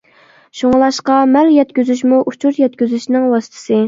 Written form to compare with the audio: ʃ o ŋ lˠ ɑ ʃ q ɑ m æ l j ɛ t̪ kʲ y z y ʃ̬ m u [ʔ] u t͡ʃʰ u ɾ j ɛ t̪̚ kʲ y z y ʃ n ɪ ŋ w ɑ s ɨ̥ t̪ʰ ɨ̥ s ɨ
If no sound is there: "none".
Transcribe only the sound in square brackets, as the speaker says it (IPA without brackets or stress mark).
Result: ʔ